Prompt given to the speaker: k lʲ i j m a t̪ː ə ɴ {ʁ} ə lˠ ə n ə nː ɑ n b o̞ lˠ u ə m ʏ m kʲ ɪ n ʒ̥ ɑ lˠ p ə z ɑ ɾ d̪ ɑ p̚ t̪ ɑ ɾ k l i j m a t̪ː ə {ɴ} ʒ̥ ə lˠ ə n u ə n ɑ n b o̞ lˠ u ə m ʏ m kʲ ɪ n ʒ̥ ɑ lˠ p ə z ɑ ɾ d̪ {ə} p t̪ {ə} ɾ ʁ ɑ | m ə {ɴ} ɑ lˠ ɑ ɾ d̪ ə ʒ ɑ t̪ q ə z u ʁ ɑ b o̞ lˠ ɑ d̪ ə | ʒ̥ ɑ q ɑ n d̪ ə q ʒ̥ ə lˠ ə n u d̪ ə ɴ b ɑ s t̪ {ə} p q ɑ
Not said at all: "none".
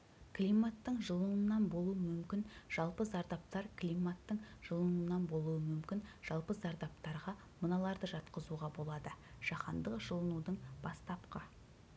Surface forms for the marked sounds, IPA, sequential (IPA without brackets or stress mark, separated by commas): ʒ, ɴ, ɑ, ɑ, n, ɑ